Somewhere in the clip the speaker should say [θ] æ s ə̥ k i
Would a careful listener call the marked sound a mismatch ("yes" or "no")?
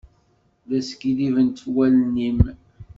yes